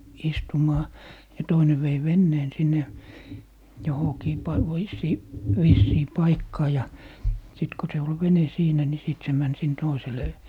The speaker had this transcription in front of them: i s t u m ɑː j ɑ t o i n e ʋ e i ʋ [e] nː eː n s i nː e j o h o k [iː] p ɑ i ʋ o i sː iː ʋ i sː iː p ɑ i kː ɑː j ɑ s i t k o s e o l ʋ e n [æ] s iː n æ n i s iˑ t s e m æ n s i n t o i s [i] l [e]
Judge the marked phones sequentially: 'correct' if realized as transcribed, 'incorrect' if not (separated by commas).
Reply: correct, correct, incorrect, incorrect, correct